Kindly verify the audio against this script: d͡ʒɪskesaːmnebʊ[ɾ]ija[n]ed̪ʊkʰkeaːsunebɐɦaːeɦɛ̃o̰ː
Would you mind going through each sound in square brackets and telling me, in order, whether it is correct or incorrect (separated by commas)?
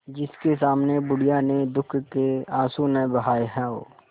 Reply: incorrect, correct